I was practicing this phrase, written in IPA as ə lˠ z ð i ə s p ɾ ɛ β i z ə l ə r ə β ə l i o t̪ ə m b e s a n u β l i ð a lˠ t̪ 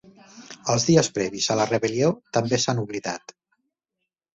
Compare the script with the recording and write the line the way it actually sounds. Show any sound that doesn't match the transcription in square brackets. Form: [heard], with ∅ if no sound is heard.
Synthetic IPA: ə lˠ z ð i ə s p ɾ ɛ β i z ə l ə r ə β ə l i o t̪ ə m b e s a n u β l i ð a [∅] t̪

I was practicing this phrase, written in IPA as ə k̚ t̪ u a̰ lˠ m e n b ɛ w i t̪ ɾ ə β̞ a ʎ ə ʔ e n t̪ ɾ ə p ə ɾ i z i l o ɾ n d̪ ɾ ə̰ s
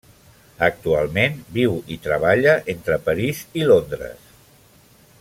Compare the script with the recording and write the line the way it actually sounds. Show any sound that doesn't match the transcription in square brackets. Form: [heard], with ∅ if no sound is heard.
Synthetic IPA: ə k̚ t̪ u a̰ lˠ m e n b [i] w i t̪ ɾ ə β̞ a ʎ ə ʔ e n t̪ ɾ ə p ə ɾ i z i l o [∅] n d̪ ɾ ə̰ s

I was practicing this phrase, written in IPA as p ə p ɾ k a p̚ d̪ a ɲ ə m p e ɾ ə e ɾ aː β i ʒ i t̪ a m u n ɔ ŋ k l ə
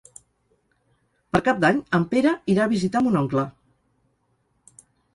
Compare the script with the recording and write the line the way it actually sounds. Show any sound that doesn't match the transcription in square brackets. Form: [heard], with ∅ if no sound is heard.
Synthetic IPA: p ə [∅] ɾ k a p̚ d̪ a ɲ ə m p e ɾ ə [i] ɾ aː β i [z] i t̪ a m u n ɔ ŋ k l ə

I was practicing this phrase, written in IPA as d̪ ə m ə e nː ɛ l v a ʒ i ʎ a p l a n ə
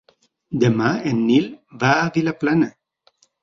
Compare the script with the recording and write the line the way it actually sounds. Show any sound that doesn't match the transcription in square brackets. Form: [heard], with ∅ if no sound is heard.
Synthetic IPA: d̪ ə m [a] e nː [i] l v a [v] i [l] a p l a n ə

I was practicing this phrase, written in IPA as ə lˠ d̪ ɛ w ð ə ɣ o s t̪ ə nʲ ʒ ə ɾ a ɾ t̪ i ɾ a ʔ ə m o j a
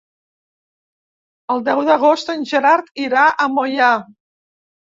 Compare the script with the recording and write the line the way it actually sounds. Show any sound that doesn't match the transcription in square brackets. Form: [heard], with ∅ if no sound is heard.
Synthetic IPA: ə lˠ d̪ ɛ w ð ə ɣ o s t̪ ə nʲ ʒ ə ɾ a ɾ t̪ i ɾ a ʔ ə m o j a

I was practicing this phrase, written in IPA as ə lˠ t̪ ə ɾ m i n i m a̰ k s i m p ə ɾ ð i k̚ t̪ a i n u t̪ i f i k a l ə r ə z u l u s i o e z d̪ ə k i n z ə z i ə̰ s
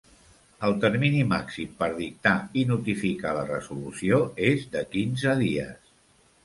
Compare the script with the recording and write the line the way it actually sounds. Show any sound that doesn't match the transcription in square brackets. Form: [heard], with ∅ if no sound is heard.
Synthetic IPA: ə lˠ t̪ ə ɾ m i n i m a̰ k s i m p ə ɾ ð i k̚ t̪ a i n u t̪ i f i k a l ə r ə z u l u s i o e z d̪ ə k i n z ə [ð] i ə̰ s

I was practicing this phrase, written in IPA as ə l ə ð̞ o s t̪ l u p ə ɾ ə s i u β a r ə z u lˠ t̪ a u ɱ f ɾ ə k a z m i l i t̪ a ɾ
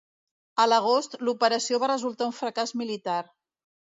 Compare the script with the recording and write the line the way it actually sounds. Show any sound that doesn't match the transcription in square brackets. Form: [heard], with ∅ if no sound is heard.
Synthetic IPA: ə l ə [ɣ̞] o s t̪ l u p ə ɾ ə s i [o] β a r ə z u lˠ t̪ a u ɱ f ɾ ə k a z m i l i t̪ a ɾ

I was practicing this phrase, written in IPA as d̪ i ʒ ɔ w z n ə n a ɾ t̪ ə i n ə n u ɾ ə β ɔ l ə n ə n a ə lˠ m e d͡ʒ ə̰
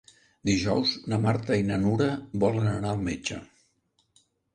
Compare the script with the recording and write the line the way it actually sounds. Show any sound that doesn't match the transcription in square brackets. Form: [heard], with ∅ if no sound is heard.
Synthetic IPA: d̪ i ʒ ɔ w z n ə [m] a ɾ t̪ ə i n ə n u ɾ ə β ɔ l ə n ə n a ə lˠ m e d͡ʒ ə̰

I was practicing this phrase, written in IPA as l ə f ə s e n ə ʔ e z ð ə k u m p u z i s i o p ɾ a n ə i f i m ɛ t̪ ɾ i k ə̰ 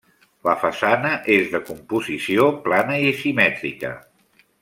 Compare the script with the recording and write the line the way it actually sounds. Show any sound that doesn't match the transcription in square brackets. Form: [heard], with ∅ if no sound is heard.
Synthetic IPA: l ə f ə s [a] n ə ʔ e z ð ə k u m p u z i s i o p [l] a n ə i [s] i m ɛ t̪ ɾ i k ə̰

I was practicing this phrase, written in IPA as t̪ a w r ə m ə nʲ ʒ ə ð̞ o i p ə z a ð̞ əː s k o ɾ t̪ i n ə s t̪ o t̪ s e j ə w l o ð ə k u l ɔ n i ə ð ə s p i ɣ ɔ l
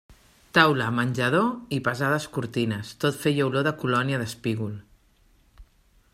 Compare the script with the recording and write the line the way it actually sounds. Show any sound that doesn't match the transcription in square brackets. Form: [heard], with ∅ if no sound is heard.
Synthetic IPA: t̪ a w [l] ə m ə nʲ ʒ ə ð̞ o i p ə z a ð̞ [ə] s k [u] ɾ t̪ i n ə s t̪ o t̪ [f] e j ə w l o ð ə k u l ɔ n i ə ð ə s p i ɣ [u] l

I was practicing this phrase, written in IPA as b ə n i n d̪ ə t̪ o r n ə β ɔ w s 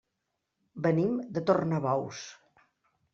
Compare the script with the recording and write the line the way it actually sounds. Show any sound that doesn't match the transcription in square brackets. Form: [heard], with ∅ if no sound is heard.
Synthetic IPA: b ə n i [m] d̪ ə t̪ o r n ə β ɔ w s

